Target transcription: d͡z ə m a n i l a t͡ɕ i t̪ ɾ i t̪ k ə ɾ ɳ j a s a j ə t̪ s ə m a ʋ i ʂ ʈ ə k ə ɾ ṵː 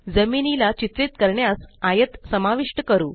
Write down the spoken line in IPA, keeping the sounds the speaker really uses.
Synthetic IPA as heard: d͡z ə m i n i l a t͡ɕ i t̪ ɾ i t̪ k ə ɾ ɳ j a s a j ə t̪ s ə m a ʋ i ʂ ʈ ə k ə ɾ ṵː